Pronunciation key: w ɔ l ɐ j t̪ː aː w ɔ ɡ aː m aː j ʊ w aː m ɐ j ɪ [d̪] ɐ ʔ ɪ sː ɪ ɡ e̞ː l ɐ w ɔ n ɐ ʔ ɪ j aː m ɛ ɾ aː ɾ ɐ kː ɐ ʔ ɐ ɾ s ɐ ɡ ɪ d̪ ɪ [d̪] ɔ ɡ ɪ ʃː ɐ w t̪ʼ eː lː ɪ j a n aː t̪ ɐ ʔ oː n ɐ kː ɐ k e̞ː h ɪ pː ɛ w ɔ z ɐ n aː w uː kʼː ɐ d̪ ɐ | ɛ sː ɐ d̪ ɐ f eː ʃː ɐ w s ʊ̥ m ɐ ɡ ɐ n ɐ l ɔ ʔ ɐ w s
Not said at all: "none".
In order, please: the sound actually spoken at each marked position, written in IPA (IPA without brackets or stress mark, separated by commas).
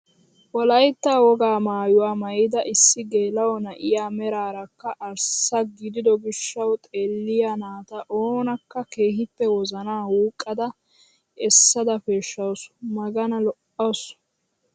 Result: d̪, d̪